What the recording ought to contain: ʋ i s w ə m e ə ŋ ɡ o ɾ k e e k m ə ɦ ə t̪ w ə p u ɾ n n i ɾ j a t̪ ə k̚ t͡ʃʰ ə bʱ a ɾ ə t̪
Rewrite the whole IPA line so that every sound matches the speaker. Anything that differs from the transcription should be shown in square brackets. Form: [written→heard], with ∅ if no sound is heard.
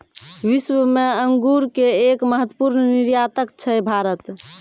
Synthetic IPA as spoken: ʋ i s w ə m e ə ŋ ɡ [o→u] ɾ k e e k m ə ɦ ə t̪ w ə p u ɾ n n i ɾ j a t̪ ə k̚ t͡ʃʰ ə bʱ a ɾ ə t̪